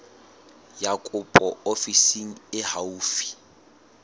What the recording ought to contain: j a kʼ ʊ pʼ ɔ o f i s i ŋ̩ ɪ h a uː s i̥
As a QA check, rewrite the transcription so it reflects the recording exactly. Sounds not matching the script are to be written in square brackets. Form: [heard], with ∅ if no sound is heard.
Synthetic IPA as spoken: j a kʼ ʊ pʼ ɔ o f i s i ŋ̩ ɪ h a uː [f] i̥